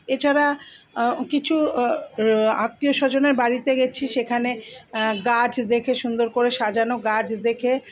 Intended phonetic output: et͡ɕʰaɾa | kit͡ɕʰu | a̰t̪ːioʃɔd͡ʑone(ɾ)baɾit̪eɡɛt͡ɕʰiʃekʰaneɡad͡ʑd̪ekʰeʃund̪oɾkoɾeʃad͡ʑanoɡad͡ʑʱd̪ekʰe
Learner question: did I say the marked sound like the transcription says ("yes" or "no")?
yes